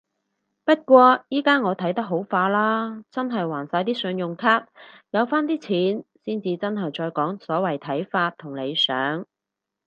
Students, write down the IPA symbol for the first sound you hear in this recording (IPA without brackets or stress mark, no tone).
p